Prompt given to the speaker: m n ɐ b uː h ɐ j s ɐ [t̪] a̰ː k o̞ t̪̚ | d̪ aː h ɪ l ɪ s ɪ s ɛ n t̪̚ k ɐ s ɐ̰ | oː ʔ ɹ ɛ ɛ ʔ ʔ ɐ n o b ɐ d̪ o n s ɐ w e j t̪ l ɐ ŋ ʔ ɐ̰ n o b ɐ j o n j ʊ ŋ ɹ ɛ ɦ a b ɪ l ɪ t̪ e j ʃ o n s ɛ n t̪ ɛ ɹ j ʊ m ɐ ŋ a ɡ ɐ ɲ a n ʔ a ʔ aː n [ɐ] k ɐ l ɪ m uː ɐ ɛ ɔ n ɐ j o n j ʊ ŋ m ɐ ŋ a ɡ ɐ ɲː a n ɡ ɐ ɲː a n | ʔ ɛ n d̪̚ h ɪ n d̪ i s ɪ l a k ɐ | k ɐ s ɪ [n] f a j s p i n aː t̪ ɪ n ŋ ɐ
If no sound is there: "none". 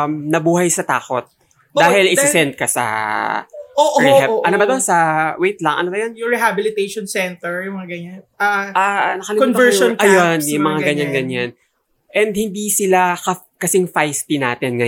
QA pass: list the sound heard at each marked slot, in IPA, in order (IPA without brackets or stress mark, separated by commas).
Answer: t̪, ɐ, ŋ